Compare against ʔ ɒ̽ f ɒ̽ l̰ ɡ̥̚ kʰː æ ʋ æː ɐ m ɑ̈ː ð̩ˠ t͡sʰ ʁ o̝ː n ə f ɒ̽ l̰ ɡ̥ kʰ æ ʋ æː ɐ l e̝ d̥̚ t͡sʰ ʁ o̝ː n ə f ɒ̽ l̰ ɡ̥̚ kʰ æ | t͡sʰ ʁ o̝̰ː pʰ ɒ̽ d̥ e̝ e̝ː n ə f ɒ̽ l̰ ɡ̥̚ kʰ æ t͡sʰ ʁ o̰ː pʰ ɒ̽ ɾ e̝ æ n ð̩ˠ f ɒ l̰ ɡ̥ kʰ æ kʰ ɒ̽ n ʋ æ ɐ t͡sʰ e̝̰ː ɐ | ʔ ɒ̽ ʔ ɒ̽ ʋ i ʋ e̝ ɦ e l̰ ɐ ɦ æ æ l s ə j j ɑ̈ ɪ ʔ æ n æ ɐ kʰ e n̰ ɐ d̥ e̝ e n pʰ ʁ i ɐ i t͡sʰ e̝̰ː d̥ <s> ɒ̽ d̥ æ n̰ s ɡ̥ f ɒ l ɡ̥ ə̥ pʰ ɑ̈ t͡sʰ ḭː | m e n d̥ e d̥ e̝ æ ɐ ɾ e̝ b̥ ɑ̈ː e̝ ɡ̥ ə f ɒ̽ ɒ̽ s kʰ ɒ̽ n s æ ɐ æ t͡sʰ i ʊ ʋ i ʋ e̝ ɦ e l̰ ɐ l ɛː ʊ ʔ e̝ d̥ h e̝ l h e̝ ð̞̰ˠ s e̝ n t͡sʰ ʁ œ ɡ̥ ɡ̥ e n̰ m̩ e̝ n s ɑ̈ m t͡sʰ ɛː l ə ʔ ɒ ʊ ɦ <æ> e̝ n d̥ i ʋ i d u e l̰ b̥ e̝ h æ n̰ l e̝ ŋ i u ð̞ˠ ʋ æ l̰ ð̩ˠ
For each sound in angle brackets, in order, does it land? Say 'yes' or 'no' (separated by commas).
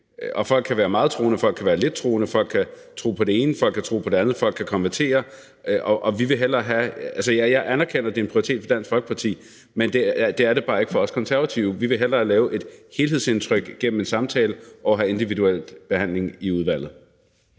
no, yes